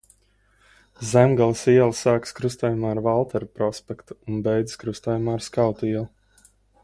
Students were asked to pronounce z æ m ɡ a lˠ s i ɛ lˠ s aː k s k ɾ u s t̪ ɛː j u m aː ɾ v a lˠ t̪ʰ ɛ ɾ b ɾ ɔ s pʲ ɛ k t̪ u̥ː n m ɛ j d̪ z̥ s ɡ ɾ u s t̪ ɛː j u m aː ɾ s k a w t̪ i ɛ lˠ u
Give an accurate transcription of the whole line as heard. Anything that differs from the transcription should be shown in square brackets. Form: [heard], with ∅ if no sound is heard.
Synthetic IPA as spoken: z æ m ɡ a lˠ s i ɛ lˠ s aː k s k ɾ u s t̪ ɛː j u m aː ɾ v a lˠ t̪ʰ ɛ ɾ [p] ɾ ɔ s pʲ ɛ k t̪ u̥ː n [b] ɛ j d̪ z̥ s [k] ɾ u s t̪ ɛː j u m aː ɾ s k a w t̪ i ɛ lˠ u